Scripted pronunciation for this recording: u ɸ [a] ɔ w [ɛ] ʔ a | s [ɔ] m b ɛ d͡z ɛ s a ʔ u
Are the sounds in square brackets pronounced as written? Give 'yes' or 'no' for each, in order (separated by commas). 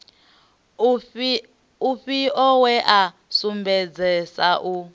no, yes, no